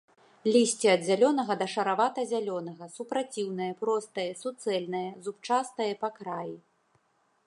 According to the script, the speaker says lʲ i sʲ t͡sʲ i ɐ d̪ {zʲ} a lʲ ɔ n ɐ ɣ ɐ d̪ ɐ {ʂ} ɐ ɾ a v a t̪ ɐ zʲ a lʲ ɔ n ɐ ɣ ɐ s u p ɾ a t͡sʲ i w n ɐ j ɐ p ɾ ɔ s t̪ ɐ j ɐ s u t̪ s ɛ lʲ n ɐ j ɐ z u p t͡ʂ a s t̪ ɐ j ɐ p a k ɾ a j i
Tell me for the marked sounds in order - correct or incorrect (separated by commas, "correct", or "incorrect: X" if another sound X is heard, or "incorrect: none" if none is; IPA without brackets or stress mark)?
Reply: correct, correct